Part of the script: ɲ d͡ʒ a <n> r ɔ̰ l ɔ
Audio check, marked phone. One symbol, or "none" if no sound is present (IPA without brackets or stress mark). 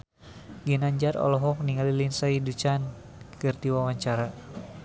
none